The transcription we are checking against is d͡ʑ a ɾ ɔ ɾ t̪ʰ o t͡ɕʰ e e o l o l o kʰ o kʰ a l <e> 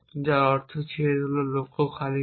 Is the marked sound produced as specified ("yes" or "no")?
no